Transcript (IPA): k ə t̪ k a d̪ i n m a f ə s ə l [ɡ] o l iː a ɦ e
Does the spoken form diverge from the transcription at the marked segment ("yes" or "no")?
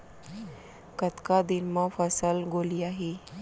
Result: no